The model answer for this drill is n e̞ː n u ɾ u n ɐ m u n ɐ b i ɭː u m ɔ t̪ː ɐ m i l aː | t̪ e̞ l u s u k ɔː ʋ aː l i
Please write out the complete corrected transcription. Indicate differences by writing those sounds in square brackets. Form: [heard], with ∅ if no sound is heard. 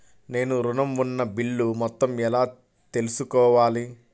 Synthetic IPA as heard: n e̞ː n u ɾ u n ɐ m u [nː] ɐ b i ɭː u m ɔ t̪ː ɐ m [ɛ] l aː | t̪ e̞ l u s u k ɔː ʋ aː l i